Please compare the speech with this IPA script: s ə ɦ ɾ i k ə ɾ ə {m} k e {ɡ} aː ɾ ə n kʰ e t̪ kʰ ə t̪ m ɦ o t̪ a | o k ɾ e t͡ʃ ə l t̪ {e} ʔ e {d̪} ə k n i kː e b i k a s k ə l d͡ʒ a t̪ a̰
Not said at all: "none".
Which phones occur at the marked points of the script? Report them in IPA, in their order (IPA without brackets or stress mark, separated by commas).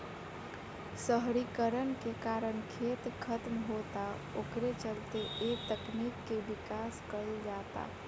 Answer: n, k, e, t̪